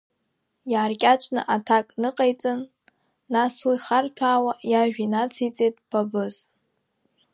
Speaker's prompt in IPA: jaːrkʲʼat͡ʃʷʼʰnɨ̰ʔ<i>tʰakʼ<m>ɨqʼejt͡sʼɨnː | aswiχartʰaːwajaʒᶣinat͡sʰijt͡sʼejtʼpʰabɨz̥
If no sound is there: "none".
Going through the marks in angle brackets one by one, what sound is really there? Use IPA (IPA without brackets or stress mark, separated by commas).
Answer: a, n